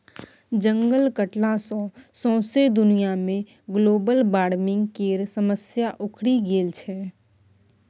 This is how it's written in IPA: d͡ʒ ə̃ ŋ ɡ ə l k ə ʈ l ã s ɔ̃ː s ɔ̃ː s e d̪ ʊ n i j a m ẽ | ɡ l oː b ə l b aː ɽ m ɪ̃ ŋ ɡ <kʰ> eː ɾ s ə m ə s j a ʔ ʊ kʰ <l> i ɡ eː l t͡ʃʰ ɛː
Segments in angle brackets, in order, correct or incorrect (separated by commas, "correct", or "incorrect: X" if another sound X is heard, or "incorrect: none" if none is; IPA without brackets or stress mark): incorrect: k, incorrect: ɽ